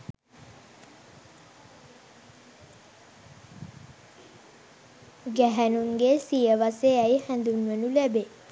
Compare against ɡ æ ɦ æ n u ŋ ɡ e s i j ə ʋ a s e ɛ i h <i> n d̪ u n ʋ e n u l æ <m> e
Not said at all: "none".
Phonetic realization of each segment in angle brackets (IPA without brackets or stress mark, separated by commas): æ, b